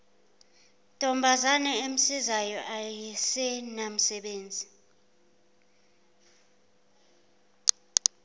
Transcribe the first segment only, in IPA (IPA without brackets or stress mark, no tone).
tʼ